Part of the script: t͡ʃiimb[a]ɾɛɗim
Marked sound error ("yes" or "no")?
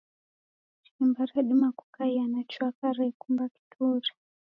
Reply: no